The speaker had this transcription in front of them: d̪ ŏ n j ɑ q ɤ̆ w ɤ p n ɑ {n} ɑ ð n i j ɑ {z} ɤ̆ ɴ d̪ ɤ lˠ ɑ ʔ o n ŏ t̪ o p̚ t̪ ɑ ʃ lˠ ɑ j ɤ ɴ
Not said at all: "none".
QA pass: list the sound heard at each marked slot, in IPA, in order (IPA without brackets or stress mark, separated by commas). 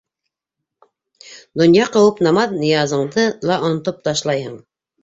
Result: m, z